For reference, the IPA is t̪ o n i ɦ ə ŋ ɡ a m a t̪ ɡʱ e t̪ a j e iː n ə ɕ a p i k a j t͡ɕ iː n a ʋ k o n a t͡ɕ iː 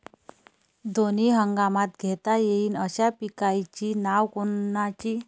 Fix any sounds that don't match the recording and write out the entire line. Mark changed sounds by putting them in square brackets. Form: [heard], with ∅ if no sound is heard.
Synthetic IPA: [d̪] o n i ɦ ə ŋ ɡ a m a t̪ ɡʱ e t̪ a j e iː n ə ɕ a p i k a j t͡ɕ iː n a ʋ k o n a t͡ɕ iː